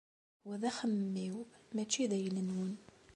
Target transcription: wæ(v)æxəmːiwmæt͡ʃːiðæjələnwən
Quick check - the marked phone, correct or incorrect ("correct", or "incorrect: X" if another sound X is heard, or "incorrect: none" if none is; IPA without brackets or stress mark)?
incorrect: ð